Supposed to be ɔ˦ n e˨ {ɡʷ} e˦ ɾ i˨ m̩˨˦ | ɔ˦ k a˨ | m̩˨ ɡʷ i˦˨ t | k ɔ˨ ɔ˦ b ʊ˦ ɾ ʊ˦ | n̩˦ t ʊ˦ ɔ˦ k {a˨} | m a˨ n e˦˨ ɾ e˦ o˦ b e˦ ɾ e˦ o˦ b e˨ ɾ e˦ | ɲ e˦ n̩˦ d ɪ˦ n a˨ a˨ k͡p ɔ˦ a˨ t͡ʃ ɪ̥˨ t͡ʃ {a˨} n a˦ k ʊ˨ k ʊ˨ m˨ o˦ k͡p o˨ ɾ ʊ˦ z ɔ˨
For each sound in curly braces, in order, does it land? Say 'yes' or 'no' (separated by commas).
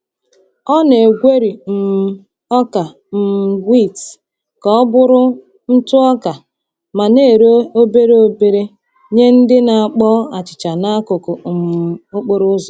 yes, yes, yes